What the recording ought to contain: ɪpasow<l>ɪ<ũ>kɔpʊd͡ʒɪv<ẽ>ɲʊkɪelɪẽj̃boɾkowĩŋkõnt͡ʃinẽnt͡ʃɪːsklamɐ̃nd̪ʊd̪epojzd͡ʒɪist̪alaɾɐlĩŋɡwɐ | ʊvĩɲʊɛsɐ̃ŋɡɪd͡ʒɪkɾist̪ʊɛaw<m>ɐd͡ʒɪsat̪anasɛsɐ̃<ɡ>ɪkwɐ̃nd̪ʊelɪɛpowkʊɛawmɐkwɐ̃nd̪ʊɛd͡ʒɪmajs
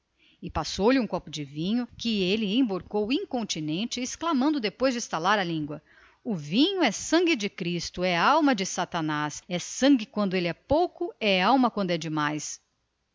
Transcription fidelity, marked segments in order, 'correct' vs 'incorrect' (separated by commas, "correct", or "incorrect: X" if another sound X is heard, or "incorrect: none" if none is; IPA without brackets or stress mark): correct, correct, incorrect: ĩ, correct, correct